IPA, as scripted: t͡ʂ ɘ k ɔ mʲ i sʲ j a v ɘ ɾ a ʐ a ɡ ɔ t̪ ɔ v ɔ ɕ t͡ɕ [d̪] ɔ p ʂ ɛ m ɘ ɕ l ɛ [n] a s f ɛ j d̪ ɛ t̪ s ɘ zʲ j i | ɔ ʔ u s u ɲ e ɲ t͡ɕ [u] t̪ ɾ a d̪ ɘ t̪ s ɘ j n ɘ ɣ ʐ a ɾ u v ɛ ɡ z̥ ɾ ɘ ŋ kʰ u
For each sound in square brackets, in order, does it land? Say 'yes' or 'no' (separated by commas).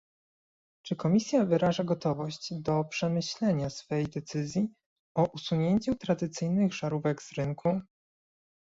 yes, no, yes